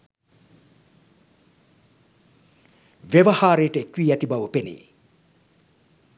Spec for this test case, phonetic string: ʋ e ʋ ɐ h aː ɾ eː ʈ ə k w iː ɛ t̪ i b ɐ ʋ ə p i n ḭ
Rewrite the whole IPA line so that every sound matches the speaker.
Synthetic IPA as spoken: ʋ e ʋ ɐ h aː ɾ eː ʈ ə k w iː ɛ t̪ i b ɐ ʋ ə p e n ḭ